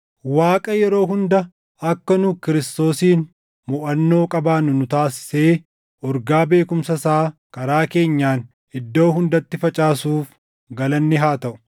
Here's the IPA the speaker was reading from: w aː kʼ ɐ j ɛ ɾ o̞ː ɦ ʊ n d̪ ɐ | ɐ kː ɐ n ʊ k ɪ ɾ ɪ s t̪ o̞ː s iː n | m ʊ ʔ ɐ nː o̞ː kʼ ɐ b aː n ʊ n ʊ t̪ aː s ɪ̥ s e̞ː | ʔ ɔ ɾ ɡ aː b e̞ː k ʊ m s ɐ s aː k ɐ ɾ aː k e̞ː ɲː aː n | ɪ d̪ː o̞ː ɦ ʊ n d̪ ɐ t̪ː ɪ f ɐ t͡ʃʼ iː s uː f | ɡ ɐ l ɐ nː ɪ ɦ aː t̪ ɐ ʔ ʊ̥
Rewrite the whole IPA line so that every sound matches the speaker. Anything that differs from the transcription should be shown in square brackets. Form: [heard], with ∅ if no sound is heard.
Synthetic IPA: w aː kʼ ɐ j ɛ ɾ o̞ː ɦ ʊ n d̪ ɐ | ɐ kː ɐ n ʊ k ɪ ɾ ɪ s t̪ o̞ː s iː n | m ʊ ʔ ɐ nː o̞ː kʼ ɐ b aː n ʊ n ʊ t̪ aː s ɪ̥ s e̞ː | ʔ ɔ ɾ ɡ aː b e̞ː k ʊ m s ɐ s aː k ɐ ɾ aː k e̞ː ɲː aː n | ɪ d̪ː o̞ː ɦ ʊ n d̪ ɐ t̪ː ɪ f ɐ t͡ʃʼ [aː] s uː f | ɡ ɐ l ɐ nː ɪ ɦ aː t̪ ɐ ʔ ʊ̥